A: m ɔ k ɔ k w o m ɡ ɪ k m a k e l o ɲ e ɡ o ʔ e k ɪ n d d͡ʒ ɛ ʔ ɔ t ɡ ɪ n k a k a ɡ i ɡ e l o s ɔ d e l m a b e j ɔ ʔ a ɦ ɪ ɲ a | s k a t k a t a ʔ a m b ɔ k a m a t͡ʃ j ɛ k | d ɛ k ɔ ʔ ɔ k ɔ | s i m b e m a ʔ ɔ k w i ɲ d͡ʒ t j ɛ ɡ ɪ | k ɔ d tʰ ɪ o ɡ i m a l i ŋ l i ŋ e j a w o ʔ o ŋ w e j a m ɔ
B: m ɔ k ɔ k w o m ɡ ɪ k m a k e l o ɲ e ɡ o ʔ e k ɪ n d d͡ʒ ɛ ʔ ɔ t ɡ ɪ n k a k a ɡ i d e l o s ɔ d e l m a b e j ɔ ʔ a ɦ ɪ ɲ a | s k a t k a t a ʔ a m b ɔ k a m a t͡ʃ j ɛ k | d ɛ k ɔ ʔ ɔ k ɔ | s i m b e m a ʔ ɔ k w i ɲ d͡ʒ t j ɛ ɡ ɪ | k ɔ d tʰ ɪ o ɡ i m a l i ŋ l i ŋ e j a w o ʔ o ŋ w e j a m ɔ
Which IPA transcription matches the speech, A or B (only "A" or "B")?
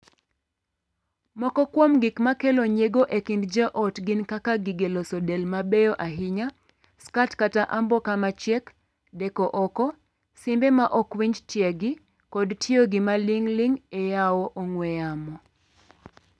A